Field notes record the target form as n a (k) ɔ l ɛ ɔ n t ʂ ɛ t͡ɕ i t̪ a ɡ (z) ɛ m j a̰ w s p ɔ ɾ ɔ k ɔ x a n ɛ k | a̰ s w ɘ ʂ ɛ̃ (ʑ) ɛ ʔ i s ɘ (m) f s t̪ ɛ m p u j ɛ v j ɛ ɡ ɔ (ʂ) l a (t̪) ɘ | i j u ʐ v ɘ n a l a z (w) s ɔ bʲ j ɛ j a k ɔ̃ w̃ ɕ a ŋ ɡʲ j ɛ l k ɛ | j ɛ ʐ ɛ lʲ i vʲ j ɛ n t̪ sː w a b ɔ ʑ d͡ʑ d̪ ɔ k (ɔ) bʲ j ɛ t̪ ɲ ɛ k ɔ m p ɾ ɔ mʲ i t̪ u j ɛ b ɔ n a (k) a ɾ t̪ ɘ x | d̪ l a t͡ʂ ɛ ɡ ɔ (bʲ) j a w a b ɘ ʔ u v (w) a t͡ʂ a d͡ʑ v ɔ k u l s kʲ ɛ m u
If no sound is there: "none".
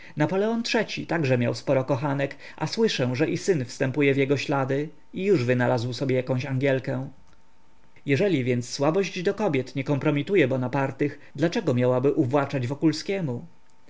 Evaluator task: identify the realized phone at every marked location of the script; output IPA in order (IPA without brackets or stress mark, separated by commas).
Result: p, ʐ, ʐ, n, ɕ, d̪, w, ɔ, p, mʲ, w